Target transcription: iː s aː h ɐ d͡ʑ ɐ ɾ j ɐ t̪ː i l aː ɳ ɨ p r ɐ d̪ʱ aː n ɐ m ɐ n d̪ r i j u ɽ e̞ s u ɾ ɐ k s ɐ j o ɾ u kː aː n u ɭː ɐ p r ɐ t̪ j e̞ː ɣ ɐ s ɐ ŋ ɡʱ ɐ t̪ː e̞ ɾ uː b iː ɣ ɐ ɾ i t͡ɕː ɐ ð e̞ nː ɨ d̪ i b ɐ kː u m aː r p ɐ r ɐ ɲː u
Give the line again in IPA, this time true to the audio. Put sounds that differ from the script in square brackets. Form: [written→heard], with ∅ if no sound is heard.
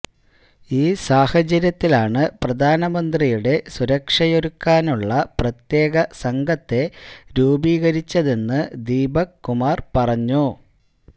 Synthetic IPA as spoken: iː s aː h ɐ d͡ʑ ɐ ɾ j ɐ t̪ː i l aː ɳ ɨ p r ɐ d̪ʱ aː n ɐ m ɐ n d̪ r i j u ɽ e̞ s u ɾ ɐ k [s→ʂ] ɐ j o ɾ u kː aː n u ɭː ɐ p r ɐ t̪ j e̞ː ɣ ɐ s ɐ ŋ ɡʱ ɐ t̪ː e̞ ɾ uː b iː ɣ ɐ ɾ i t͡ɕː ɐ ð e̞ nː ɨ d̪ [i→iː] b ɐ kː u m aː r p ɐ r ɐ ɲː u